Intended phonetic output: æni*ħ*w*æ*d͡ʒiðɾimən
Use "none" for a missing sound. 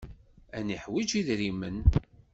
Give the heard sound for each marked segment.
ħ, i

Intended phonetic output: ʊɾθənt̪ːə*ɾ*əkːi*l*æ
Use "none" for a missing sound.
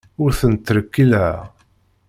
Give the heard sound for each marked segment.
ɾ, l

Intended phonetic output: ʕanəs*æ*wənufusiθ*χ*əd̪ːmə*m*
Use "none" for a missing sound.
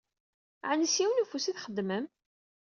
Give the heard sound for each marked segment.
i, χ, m

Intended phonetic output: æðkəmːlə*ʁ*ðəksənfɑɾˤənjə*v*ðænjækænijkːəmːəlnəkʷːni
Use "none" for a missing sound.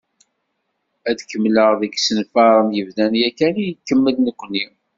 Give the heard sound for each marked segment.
ʁ, v

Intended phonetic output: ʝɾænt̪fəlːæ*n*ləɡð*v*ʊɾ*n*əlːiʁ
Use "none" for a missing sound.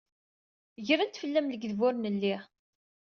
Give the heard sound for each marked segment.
m, v, n

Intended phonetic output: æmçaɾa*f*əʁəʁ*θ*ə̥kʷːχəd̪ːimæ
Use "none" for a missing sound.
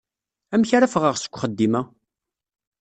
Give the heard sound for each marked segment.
f, s

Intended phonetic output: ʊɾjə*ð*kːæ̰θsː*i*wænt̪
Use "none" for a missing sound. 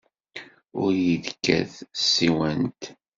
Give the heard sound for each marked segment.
ð, i

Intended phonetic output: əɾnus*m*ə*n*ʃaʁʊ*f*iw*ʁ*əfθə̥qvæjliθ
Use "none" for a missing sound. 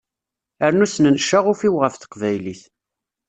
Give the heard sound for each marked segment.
n, n, f, ʁ

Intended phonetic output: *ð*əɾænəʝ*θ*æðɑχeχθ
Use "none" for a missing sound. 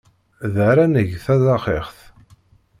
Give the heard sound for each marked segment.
ð, θ

